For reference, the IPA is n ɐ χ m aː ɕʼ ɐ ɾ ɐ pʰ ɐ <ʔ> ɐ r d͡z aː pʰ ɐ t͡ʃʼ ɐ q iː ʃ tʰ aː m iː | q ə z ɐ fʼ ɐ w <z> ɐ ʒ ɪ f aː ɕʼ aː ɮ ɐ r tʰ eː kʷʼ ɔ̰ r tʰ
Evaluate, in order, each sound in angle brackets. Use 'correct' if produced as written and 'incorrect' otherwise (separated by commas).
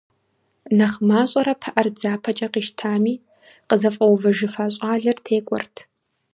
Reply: correct, incorrect